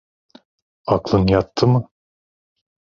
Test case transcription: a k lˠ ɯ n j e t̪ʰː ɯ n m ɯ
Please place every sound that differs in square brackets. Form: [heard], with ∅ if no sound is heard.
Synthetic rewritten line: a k lˠ ɯ n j [a] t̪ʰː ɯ [∅] m ɯ